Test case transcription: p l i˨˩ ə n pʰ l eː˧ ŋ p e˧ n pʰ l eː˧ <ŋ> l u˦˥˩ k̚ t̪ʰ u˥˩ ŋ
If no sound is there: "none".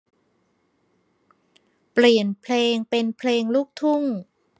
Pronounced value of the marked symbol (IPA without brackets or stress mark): ŋ